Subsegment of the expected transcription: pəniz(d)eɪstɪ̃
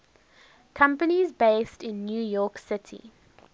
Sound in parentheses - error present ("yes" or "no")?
yes